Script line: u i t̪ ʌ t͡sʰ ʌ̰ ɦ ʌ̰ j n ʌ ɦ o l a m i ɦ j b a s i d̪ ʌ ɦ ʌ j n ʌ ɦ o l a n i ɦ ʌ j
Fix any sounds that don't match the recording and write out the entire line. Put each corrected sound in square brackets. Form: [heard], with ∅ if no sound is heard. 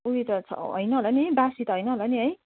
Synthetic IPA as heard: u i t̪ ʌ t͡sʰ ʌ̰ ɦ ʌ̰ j n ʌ ɦ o l a [n] i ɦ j b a s i [t̪] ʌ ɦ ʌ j n ʌ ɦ o l a n i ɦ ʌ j